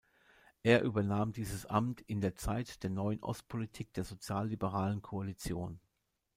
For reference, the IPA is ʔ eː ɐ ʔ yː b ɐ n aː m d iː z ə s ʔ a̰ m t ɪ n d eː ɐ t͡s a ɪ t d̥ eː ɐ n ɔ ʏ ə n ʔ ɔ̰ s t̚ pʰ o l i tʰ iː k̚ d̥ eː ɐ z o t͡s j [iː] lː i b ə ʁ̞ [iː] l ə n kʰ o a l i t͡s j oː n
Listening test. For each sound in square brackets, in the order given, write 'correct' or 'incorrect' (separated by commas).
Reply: incorrect, incorrect